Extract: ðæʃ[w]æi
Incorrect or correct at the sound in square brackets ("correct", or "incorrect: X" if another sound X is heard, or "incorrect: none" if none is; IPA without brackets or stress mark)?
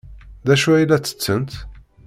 incorrect: u